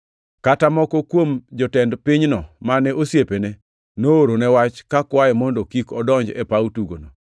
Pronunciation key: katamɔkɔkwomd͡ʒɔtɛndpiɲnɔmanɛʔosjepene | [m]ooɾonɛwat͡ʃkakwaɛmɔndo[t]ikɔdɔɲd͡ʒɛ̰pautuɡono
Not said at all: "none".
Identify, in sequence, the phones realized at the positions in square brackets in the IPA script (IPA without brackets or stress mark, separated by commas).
n, k